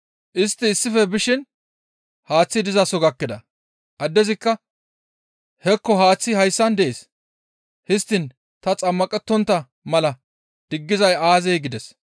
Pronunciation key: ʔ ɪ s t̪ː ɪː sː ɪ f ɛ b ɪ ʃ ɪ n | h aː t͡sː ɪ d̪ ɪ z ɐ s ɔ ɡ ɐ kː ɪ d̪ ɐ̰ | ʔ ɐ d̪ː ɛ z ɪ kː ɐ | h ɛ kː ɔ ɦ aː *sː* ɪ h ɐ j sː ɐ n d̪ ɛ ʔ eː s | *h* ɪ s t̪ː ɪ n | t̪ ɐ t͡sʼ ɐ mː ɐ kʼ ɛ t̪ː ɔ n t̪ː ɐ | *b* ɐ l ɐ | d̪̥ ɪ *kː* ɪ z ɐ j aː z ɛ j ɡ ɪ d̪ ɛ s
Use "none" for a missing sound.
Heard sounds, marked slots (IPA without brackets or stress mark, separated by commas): t͡sː, h, m, ɡː